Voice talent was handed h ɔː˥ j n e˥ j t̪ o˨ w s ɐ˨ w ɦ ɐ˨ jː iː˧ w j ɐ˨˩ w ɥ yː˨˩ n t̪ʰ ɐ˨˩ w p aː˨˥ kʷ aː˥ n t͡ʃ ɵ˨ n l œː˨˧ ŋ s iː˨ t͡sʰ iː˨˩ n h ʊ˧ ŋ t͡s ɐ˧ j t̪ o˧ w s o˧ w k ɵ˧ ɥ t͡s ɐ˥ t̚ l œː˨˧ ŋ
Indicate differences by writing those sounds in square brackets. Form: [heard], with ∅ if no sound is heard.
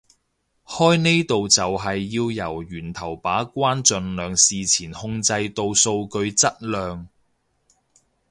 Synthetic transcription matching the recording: h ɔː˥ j n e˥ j t̪ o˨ w [t͡s] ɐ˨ w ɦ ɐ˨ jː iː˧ w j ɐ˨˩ w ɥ yː˨˩ n t̪ʰ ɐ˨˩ w p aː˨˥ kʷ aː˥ n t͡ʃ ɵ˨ n l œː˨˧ ŋ s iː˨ t͡sʰ iː˨˩ n h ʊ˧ ŋ t͡s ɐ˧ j t̪ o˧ w s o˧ w k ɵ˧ ɥ t͡s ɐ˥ t̚ l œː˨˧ ŋ